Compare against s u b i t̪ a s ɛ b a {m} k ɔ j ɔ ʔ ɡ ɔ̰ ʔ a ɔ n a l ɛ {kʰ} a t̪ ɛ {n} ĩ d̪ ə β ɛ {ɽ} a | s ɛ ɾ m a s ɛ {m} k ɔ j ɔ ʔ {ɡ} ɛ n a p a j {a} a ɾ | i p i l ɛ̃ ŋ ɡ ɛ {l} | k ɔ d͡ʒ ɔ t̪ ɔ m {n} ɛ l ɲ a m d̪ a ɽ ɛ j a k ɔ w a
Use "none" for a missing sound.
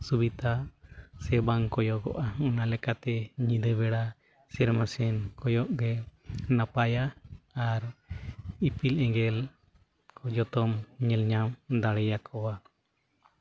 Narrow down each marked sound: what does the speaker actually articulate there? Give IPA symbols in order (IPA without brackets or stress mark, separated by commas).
ŋ, k, ɲ, ɽ, n, ɡ, a, l, ɲ